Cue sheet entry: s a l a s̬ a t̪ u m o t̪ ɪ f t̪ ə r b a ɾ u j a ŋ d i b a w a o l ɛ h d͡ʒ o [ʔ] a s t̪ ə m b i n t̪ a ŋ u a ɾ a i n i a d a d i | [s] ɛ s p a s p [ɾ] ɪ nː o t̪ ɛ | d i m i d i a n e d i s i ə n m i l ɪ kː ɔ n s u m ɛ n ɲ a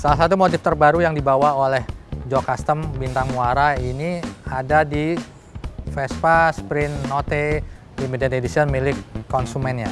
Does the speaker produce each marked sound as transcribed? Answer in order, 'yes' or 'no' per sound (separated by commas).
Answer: no, no, yes